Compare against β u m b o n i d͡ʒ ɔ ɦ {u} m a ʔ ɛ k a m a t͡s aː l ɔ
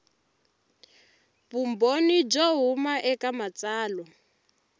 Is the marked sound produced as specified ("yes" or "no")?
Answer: yes